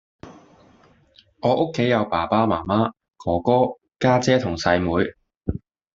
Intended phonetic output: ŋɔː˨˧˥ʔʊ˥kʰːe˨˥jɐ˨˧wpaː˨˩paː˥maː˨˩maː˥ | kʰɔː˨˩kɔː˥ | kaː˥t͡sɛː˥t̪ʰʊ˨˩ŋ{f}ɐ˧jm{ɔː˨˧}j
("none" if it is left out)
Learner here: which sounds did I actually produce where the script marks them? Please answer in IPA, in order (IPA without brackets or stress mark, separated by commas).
s, uː˨˧